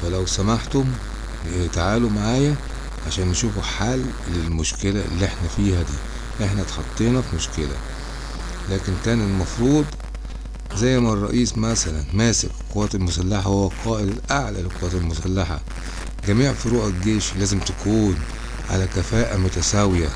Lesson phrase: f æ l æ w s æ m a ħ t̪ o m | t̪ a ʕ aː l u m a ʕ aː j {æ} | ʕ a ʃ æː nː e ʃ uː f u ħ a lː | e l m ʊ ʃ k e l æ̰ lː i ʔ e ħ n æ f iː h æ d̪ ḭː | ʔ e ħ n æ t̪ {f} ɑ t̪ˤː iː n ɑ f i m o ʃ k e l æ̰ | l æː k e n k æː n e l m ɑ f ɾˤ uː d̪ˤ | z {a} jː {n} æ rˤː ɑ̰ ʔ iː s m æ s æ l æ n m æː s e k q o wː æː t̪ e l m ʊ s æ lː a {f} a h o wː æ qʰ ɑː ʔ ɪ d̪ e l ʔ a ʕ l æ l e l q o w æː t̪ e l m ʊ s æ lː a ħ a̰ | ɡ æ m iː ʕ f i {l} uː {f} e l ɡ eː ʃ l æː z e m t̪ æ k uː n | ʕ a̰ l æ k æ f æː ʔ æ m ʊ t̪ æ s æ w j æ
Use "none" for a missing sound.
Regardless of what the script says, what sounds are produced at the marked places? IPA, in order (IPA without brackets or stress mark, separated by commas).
æ, ħ, æ, m, ħ, ɾ, ħ